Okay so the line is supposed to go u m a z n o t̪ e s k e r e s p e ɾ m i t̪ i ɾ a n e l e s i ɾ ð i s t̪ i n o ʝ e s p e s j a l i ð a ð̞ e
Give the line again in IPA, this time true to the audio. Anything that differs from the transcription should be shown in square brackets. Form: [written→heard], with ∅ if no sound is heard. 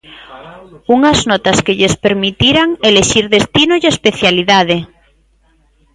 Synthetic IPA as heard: u [m→ŋ] a z n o t̪ [e→a] s k e [r→ʎ] e s p e ɾ m i t̪ i ɾ a [n→ŋ] e l e [s→ʃ] i ɾ ð [i→e] s t̪ i n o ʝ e s p e [s→θ] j a l i ð a ð̞ e